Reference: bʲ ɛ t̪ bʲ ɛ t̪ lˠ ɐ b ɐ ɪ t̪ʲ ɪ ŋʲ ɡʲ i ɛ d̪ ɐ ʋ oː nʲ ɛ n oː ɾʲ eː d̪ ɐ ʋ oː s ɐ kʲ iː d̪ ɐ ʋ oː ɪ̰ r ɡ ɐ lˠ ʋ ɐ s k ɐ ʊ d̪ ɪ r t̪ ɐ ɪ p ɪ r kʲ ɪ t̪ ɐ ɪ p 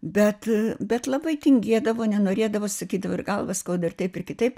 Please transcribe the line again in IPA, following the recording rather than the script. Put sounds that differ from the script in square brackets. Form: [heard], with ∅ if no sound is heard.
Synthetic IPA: bʲ ɛ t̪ bʲ ɛ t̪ lˠ ɐ b ɐ ɪ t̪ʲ ɪ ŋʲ ɡʲ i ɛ d̪ ɐ ʋ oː nʲ ɛ n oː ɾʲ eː d̪ ɐ ʋ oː s ɐ kʲ iː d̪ ɐ ʋ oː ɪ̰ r ɡ ɐ lˠ ʋ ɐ s k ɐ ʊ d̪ ɪ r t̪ ɐ ɪ p ɪ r kʲ ɪ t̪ ɐ ɪ p

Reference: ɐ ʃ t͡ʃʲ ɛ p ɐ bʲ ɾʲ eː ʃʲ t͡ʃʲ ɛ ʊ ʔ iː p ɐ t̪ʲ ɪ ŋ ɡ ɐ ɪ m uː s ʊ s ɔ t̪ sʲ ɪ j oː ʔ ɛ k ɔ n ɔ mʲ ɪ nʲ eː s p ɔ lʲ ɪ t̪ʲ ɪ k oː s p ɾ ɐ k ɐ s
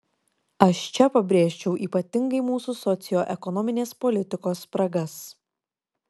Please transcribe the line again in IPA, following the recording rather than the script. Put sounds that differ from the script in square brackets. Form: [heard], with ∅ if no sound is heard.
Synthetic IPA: ɐ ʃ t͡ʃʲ ɛ p ɐ bʲ ɾʲ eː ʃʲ t͡ʃʲ ɛ ʊ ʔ iː p ɐ t̪ʲ ɪ ŋ ɡ ɐ ɪ m uː s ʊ s ɔ t̪ sʲ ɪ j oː ʔ ɛ k ɔ n ɔ mʲ ɪ nʲ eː s p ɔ lʲ ɪ t̪ʲ ɪ k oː s p ɾ ɐ [ɡ] ɐ s

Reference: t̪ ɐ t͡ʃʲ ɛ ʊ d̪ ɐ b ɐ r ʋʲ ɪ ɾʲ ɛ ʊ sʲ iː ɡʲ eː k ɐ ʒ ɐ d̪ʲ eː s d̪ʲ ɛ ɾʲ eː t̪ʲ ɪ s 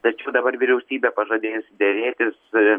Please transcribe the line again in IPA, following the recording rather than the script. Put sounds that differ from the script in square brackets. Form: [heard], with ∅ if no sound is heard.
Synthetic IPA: t̪ ɐ t͡ʃʲ ɛ ʊ d̪ ɐ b ɐ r ʋʲ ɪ ɾʲ ɛ ʊ sʲ iː [bʲ] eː [p] ɐ ʒ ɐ d̪ʲ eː s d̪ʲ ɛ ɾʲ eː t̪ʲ ɪ s

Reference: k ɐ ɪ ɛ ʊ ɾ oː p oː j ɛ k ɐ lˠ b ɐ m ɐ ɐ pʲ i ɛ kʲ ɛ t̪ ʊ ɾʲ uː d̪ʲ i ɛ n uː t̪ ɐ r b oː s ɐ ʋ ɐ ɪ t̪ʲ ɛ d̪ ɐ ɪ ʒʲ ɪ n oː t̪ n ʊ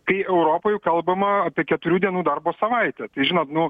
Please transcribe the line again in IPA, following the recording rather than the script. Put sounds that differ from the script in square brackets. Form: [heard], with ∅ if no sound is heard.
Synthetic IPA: k ɐ ɪ ɛ ʊ ɾ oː p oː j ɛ k ɐ lˠ b ɐ m ɐ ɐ pʲ i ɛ kʲ ɛ t̪ ʊ ɾʲ uː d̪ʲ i ɛ n uː [d̪] ɐ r b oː s ɐ ʋ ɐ ɪ t̪ʲ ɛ [t̪] ɐ ɪ ʒʲ ɪ n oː t̪ n ʊ

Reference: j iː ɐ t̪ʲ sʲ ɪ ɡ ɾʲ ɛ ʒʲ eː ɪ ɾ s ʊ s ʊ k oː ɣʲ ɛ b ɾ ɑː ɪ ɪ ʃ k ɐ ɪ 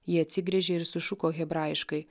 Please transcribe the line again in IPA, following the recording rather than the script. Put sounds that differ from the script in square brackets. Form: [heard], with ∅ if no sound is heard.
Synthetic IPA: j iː ɐ t̪ʲ sʲ ɪ ɡ ɾʲ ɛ ʒʲ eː ɪ ɾ s ʊ [ʃ] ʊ k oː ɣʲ ɛ b ɾ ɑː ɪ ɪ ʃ k ɐ ɪ

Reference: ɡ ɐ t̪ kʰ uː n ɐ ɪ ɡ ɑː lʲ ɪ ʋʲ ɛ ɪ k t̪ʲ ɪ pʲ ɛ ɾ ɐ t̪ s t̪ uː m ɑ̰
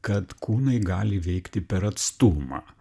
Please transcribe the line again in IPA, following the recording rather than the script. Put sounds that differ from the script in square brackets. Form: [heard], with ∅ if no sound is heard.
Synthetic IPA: [k] ɐ t̪ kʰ uː n ɐ ɪ ɡ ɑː lʲ ɪ ʋʲ ɛ ɪ k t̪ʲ ɪ pʲ ɛ ɾ ɐ t̪ s t̪ uː m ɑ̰

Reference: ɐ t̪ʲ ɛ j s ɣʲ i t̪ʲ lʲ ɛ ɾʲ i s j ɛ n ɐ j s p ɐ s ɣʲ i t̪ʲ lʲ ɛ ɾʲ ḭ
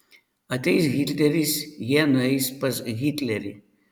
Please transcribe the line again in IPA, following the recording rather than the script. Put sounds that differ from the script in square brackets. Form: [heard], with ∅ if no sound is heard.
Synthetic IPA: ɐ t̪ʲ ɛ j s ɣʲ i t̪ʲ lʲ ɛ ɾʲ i s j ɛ n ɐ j s p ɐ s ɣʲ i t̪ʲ lʲ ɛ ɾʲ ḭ

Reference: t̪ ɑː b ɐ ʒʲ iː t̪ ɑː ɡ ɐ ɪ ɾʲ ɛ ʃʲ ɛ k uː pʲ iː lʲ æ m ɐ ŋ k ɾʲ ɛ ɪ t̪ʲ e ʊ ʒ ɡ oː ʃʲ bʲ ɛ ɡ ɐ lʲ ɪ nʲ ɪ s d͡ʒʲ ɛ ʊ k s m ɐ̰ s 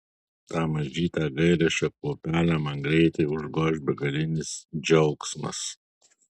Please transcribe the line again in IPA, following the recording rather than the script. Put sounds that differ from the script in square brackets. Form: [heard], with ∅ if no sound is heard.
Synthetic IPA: t̪ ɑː [m] ɐ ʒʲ iː t̪ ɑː ɡ ɐ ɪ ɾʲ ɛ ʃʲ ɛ k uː pʲ [æː] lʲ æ m ɐ ŋ [ɡ] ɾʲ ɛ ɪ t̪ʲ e ʊ ʒ ɡ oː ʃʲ bʲ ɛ ɡ ɐ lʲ ɪ nʲ ɪ s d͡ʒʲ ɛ ʊ k s m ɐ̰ s

